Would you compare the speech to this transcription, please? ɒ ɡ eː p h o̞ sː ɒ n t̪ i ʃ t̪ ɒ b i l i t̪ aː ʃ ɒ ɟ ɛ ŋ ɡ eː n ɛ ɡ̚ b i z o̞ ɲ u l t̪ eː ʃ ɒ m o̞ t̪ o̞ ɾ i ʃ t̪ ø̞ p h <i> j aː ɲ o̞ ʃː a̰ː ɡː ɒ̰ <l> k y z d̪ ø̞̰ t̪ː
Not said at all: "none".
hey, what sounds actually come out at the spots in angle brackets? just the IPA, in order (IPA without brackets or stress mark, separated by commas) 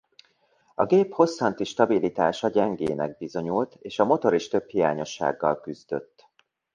i, l